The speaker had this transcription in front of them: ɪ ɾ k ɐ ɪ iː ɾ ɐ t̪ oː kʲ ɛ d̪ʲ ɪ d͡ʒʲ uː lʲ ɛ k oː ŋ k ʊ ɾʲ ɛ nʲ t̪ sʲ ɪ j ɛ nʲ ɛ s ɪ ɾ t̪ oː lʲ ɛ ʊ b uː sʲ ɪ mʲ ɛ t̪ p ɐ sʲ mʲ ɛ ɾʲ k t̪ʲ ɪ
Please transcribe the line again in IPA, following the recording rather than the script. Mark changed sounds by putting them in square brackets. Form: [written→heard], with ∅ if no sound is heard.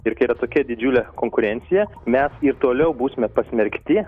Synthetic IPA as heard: ɪ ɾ k ɐ ɪ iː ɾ ɐ t̪ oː kʲ ɛ d̪ʲ ɪ d͡ʒʲ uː lʲ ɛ k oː ŋ k ʊ ɾʲ ɛ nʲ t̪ sʲ ɪ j ɛ [nʲ→mʲ] ɛ s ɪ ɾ t̪ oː lʲ ɛ ʊ b uː sʲ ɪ mʲ ɛ [t̪→∅] p ɐ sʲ mʲ ɛ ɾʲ k t̪ʲ ɪ

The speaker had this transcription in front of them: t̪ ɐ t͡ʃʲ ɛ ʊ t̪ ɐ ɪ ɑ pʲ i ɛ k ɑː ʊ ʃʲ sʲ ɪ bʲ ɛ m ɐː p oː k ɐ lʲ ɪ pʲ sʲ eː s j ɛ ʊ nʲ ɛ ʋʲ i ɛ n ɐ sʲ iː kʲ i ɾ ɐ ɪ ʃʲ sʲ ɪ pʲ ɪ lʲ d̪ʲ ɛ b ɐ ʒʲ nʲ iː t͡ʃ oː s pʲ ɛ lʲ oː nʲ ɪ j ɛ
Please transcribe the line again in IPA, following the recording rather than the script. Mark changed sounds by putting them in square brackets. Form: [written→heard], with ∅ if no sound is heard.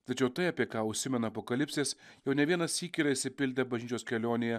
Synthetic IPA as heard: t̪ ɐ t͡ʃʲ ɛ ʊ t̪ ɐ ɪ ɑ pʲ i ɛ k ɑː ʊ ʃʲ sʲ ɪ [bʲ→mʲ] ɛ [m→n] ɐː p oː k ɐ lʲ ɪ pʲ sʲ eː s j ɛ ʊ nʲ ɛ ʋʲ i ɛ n ɐ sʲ iː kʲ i ɾ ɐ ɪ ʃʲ sʲ ɪ pʲ ɪ lʲ d̪ʲ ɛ b ɐ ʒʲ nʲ iː t͡ʃ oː s [pʲ→kʲ] ɛ lʲ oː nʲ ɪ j ɛ

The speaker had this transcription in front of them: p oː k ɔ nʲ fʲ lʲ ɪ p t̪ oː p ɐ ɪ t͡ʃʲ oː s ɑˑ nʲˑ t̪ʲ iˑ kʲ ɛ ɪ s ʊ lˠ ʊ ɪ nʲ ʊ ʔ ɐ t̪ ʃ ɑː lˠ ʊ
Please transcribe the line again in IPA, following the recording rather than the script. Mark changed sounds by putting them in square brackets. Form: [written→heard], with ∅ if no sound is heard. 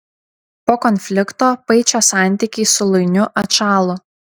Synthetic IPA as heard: p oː k ɔ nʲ fʲ lʲ ɪ [p→k] t̪ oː p ɐ ɪ t͡ʃʲ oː s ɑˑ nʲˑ t̪ʲ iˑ kʲ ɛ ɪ s ʊ lˠ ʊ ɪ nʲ ʊ ʔ ɐ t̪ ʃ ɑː lˠ ʊ

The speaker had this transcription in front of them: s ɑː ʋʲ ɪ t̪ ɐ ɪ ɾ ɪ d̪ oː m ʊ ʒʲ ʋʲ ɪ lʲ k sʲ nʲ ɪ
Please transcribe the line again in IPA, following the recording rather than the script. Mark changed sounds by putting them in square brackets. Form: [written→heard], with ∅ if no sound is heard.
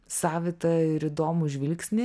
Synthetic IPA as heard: s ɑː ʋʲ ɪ t̪ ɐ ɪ ɾ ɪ d̪ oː m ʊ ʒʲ ʋʲ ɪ lʲ k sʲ nʲ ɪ

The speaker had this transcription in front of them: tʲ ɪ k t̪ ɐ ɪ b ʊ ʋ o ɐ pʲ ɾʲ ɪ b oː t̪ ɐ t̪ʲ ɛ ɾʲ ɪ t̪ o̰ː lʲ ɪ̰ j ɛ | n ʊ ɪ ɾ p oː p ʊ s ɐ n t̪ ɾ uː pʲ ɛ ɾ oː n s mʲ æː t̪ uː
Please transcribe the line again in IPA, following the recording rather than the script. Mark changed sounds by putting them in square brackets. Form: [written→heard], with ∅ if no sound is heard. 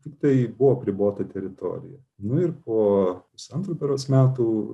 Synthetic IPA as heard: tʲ ɪ k t̪ ɐ ɪ b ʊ ʋ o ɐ pʲ ɾʲ ɪ b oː t̪ ɐ t̪ʲ ɛ ɾʲ ɪ t̪ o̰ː [lʲ→ɾʲ] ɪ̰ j ɛ | n ʊ ɪ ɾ p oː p ʊ s ɐ n t̪ ɾ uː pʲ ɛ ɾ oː [n→∅] s mʲ æː t̪ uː

